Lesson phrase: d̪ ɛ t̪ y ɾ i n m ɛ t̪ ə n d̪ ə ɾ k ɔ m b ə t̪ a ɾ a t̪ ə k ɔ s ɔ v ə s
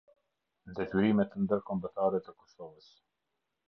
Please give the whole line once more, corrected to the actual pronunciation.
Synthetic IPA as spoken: d̪ ɛ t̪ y ɾ i m ɛ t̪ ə n d̪ ə ɾ k ɔ m b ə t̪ a ɾ ɛ t̪ ə k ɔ s ɔ v ə s